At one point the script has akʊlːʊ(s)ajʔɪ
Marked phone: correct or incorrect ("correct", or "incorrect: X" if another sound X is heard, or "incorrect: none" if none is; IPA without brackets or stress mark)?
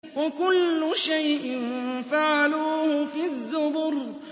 incorrect: ʃ